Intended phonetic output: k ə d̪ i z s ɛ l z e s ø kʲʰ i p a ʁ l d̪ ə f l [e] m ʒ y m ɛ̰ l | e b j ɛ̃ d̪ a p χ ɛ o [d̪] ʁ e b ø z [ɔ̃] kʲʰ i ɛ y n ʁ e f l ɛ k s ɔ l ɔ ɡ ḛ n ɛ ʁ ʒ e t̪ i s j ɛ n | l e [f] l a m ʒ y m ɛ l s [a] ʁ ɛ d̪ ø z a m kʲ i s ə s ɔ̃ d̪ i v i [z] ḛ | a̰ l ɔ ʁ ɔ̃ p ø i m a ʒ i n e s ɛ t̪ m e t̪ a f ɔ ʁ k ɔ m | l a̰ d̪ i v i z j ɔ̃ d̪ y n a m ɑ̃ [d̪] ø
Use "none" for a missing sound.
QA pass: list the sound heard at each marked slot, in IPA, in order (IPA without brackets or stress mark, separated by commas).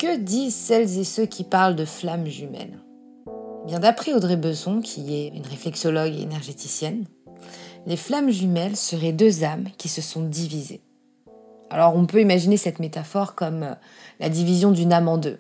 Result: a, d̪, ɔ̃, f, ə, z, d̪